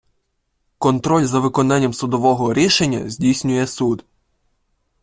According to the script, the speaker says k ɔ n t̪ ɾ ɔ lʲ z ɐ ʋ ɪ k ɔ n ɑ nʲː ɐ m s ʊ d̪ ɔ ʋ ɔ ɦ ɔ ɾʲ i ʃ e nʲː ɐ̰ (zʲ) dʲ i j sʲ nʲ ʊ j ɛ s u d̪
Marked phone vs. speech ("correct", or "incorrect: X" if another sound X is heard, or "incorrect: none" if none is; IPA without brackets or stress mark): correct